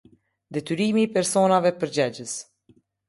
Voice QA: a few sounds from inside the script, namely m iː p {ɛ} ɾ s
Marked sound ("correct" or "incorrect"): correct